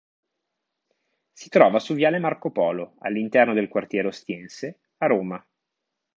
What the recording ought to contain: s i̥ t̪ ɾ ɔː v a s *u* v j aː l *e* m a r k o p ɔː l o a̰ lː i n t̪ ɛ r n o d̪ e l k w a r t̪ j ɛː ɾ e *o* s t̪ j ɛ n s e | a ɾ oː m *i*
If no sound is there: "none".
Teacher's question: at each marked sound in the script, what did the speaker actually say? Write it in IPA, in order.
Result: u, e, o, a

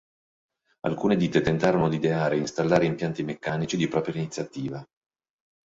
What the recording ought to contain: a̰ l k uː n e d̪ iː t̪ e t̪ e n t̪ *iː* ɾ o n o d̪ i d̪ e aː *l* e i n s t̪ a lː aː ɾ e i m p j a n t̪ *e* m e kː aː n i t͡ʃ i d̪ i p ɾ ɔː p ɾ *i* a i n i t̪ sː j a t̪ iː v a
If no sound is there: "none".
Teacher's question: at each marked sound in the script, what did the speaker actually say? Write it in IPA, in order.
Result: aː, ɾ, i, j

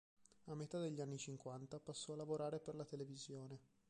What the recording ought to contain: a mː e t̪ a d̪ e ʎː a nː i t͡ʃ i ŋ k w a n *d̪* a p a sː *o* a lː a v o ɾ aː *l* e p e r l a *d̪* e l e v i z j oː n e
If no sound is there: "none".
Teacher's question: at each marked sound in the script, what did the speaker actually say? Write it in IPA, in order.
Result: t̪, ɔ, ɾ, t̪

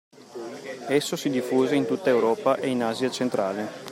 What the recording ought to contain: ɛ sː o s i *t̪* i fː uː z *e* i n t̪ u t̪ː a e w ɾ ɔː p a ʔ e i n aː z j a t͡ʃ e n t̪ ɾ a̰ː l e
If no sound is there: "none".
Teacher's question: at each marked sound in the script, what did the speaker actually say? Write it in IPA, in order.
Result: d̪, e

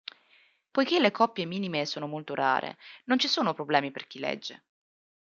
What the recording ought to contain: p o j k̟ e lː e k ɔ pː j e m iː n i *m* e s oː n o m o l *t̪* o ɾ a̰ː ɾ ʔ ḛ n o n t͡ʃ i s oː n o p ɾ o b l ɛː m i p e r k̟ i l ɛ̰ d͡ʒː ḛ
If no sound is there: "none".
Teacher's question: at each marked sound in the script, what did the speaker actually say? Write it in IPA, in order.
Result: m, t̪

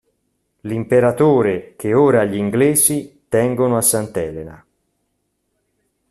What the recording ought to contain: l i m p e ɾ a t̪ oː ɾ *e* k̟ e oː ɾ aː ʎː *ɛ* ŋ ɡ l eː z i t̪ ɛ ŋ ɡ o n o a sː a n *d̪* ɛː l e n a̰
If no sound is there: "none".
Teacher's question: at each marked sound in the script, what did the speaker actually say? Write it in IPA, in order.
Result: e, i, t̪

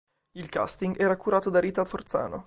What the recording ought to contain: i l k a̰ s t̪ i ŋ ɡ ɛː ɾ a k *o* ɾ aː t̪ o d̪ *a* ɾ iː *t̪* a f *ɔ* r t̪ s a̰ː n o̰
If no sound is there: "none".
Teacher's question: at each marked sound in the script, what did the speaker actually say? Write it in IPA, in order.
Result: u, a, t̪, o

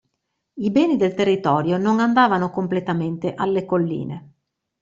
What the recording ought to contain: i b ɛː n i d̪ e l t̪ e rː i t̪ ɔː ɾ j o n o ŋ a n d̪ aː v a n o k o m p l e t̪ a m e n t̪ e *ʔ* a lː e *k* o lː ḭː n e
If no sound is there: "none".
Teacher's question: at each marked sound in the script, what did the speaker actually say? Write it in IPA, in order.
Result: ʔ, k

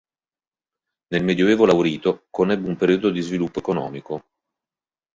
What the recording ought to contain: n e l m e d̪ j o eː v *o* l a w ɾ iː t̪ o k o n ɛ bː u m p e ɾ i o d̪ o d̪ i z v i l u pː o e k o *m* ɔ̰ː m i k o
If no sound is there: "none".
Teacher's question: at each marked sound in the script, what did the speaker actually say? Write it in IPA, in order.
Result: o, n

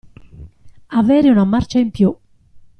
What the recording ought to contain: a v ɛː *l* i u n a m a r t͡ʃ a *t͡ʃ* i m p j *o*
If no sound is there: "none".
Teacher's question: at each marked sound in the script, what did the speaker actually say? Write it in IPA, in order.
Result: ɾ, none, u

